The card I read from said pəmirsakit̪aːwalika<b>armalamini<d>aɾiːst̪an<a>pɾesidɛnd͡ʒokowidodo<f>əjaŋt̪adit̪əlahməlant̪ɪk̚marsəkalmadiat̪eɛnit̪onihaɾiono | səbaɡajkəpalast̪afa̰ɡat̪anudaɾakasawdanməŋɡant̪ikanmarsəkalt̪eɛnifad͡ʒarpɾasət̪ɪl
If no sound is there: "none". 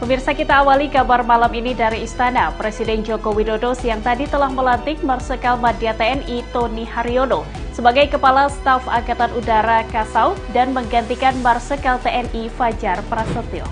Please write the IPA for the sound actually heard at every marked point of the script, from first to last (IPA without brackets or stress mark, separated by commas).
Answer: b, d, a, s